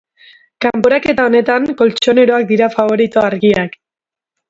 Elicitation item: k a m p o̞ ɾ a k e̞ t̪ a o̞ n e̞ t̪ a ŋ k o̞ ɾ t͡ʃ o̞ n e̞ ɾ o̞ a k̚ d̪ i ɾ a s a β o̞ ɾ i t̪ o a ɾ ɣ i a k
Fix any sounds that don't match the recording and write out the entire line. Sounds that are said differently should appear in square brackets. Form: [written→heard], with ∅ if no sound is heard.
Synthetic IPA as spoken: k a m p o̞ ɾ a k e̞ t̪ a o̞ n e̞ t̪ a ŋ k o̞ [ɾ→l] t͡ʃ o̞ n e̞ ɾ o̞ a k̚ d̪ i ɾ a [s→f] a β o̞ ɾ i t̪ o a ɾ ɣ i a k